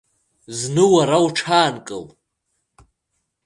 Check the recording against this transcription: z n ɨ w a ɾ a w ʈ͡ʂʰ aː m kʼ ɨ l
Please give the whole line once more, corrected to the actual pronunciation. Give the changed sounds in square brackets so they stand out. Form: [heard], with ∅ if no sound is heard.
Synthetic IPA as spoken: z n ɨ w a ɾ a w ʈ͡ʂʰ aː [n] kʼ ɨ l